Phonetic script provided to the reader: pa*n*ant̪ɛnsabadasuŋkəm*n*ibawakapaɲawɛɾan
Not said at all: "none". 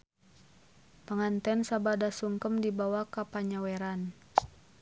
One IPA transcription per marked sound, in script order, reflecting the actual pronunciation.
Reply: ŋ, d

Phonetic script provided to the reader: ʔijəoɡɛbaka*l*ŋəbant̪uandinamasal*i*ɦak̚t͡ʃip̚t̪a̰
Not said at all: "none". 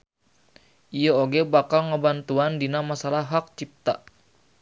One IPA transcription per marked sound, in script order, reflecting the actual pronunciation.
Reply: l, a

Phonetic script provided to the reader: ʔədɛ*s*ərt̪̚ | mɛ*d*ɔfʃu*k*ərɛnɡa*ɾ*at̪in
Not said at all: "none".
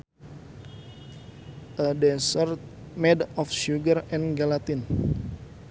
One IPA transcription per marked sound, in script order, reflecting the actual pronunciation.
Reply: s, d, ɡ, l

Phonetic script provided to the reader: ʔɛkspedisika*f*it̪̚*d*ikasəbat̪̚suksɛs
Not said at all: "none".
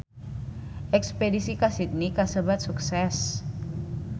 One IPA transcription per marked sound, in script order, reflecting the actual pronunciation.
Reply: s, n

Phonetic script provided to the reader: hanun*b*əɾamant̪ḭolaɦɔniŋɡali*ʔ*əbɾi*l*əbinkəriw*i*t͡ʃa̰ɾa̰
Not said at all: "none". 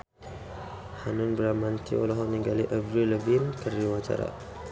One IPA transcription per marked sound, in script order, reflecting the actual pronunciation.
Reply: b, ʔ, l, a

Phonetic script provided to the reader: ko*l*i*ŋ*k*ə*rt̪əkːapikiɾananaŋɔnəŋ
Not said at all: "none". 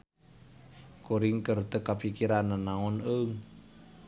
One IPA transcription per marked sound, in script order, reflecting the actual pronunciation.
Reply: ɾ, ŋ, ə

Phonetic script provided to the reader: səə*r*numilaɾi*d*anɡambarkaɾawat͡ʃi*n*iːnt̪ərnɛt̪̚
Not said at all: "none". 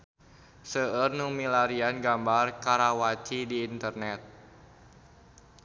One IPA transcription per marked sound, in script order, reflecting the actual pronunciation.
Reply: r, none, d

